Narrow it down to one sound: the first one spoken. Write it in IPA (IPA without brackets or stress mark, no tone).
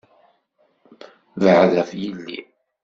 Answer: v